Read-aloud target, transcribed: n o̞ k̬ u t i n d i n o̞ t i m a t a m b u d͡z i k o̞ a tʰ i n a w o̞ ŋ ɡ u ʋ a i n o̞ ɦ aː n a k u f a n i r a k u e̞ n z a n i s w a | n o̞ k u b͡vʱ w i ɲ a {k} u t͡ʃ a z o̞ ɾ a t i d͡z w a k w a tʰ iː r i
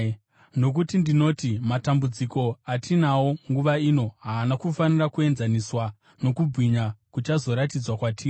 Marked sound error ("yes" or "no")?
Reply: no